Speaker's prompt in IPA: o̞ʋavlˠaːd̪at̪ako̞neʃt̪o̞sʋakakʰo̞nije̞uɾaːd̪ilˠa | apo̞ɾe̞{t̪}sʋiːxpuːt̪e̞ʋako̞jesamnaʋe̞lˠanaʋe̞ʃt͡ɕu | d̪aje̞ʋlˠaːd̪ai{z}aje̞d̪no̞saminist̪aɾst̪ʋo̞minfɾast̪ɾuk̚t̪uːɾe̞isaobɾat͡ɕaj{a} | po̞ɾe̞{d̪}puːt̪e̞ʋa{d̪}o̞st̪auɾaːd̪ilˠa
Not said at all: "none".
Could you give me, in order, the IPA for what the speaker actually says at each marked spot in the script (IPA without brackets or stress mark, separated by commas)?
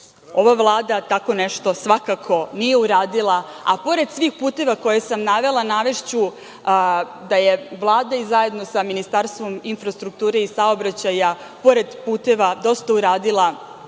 d̪, z, a, d̪, d̪